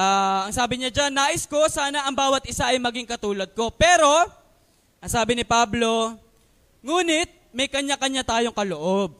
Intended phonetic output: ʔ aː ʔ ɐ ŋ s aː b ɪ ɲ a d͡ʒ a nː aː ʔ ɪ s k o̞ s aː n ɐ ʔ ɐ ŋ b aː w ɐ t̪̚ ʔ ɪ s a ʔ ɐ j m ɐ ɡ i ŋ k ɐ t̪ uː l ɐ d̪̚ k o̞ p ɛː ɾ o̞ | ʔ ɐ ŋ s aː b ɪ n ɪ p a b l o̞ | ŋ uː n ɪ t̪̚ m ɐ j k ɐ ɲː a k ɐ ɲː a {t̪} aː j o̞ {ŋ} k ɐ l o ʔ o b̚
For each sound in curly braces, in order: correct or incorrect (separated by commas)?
correct, correct